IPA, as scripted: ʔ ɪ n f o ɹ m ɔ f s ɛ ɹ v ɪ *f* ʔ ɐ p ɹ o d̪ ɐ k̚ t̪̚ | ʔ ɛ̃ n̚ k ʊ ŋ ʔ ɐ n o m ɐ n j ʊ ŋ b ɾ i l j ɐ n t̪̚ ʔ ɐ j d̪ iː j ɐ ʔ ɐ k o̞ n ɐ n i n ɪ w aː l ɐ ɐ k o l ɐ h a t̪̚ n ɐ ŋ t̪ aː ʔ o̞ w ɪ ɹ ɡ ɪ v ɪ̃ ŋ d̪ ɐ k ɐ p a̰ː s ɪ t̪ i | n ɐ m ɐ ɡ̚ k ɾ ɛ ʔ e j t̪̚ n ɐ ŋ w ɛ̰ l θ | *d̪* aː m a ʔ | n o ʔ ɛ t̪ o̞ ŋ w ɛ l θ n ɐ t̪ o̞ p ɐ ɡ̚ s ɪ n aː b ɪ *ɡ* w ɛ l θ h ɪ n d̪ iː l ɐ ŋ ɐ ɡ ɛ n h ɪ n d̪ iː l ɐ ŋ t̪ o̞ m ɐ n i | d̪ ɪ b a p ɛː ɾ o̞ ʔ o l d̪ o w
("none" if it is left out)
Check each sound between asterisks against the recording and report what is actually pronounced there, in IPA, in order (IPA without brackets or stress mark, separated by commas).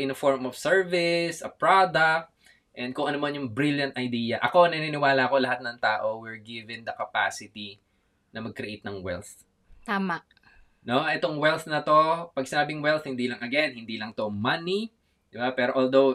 s, t̪, ŋ